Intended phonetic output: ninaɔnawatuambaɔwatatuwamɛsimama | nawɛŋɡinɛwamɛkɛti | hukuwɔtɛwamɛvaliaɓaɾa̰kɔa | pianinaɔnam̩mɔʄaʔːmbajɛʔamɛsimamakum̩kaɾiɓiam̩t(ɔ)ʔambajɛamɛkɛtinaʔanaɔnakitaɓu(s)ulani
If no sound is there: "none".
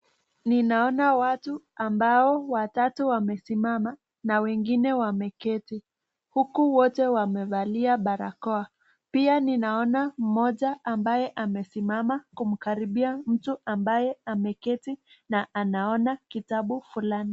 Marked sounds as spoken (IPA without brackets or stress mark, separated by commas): u, f